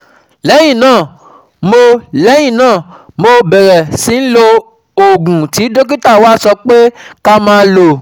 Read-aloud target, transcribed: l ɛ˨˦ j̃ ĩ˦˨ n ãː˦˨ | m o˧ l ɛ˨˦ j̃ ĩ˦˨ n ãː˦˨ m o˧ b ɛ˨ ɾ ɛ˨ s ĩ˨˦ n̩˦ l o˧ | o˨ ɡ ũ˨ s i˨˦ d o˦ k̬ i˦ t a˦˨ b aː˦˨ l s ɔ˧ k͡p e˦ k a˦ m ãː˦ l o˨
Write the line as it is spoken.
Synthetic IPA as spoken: l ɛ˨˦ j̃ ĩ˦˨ n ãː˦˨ | m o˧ l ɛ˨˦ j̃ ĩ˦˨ n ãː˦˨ m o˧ b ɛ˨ ɾ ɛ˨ s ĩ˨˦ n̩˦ l o˧ | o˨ ɡ ũ˨ t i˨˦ d o˦ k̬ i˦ t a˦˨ w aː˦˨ s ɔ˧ k͡p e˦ k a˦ m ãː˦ l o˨